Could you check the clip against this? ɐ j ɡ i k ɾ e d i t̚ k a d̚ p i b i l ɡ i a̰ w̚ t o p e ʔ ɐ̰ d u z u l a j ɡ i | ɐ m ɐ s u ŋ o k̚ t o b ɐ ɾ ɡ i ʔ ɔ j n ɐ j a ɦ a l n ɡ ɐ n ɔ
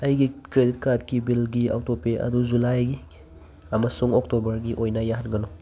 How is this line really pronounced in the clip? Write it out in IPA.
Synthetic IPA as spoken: ɐ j ɡ i k ɾ e d i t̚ k a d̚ k i b i l ɡ i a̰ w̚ t o p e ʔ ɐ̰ d u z u l a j ɡ i | ɐ m ɐ s u ŋ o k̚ t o b ɐ ɾ ɡ i ʔ o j n ɐ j a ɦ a n ɡ ɐ n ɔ

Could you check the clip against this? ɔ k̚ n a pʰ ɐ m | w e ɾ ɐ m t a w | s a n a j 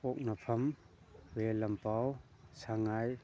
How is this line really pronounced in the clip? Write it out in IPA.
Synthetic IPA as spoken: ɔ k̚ n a pʰ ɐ m | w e l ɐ m p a w | s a ŋ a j

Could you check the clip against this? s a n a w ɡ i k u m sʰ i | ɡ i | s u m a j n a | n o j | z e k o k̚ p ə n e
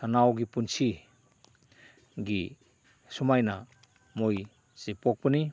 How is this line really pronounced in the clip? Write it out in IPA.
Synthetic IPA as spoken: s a n a w ɡ i p u n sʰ i | ɡ i | s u m a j n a | m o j | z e p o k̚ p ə n i

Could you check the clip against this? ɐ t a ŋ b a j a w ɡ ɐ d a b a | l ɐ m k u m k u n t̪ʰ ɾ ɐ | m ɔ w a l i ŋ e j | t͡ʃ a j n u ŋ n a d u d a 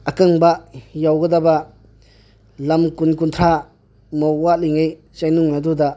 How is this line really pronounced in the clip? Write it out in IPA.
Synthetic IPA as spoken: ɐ k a ŋ b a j a w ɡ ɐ d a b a | l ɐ m k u n k u n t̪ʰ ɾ a | m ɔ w a l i ŋ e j | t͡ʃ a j n u ŋ n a d u d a

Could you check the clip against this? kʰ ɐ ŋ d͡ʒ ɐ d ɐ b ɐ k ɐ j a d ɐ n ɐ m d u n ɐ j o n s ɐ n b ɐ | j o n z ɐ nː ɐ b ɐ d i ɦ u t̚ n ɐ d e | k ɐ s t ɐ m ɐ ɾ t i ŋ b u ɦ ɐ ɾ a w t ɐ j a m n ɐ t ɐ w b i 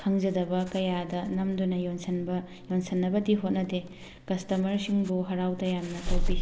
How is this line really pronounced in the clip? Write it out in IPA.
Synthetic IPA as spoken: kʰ ɐ ŋ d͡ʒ ɐ d ɐ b ɐ k ɐ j a d ɐ n ɐ m d u n ɐ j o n s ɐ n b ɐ | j o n s ɐ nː ɐ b ɐ d i ɦ o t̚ n ɐ d e | k ɐ s t ɐ m ɐ ɾ s i ŋ b u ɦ ɐ ɾ a w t ɐ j a m n ɐ t ɐ w b i

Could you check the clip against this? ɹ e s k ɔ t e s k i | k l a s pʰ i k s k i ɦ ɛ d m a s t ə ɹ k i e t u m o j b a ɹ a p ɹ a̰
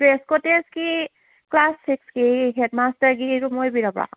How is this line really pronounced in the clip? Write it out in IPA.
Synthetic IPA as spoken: ɹ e s k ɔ t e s k i | k l a s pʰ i k s k i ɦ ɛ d m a s t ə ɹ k i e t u m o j b i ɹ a p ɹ a̰

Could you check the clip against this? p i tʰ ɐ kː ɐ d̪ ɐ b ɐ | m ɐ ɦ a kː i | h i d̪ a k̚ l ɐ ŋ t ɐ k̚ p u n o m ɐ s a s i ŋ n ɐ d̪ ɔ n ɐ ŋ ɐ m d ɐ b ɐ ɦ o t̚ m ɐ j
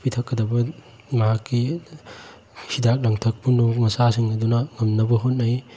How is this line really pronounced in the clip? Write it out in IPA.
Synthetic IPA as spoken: p i tʰ ɐ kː ɐ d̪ ɐ b ɐ | m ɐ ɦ a kː i | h i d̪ a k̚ l ɐ ŋ tʰ ɐ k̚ p u n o m ɐ s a s i ŋ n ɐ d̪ u n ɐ ŋ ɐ m n ɐ b ɐ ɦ o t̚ n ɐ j

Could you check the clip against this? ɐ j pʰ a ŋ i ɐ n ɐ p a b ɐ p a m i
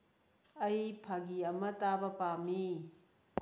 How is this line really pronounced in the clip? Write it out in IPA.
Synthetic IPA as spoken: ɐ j pʰ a ɡ i ɐ m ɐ t a b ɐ p a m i

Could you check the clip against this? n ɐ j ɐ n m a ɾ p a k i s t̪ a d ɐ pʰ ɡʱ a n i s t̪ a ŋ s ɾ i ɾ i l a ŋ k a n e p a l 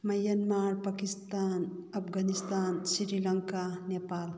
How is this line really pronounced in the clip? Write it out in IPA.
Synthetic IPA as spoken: m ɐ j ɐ n m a ɾ p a k i s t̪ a n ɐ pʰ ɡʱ a n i s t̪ a n s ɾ i ɾ i l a ŋ k a n e p a l

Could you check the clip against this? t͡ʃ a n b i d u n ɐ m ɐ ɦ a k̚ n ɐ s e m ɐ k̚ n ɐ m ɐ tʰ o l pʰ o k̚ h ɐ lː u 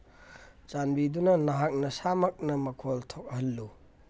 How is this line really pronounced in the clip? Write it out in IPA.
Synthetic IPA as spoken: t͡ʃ a n b i d u n ɐ n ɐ ɦ a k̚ n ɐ s a m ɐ k̚ n ɐ m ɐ kʰ o l tʰ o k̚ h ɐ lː u

